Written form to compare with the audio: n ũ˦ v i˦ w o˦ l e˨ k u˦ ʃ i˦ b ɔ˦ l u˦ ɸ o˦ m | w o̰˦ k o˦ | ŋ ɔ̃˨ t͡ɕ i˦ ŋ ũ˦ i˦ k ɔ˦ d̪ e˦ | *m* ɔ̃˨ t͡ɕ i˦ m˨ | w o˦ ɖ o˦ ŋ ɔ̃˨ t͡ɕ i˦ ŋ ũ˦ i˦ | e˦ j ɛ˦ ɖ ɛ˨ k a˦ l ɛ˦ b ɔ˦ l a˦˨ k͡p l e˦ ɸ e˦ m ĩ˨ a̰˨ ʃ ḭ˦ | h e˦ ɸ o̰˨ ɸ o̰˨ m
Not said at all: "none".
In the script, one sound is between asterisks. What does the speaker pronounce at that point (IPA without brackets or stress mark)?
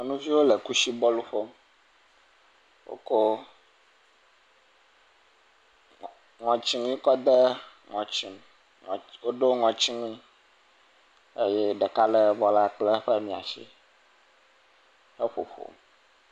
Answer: ŋ